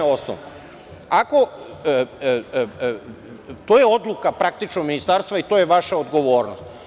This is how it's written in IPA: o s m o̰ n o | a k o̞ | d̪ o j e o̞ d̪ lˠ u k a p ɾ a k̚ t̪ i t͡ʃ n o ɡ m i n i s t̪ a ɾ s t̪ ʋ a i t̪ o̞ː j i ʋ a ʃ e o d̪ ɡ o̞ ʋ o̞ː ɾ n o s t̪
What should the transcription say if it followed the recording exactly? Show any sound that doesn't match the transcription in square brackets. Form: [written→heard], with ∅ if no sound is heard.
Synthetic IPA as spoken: o s [m→n] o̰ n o | a k o̞ | [d̪→t̪] o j e o̞ d̪ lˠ u k a p ɾ a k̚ t̪ i t͡ʃ n o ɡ m i n i s t̪ a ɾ s t̪ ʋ a i t̪ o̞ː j [i→e] ʋ a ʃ [e→a] o d̪ ɡ o̞ ʋ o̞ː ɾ n o s t̪